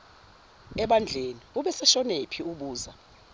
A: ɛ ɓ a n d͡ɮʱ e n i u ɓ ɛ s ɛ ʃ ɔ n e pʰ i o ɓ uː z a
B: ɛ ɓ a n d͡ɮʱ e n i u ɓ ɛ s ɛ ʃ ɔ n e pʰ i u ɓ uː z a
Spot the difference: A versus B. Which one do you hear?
B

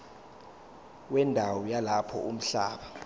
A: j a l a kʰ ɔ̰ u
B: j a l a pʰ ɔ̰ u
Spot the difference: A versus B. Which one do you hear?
B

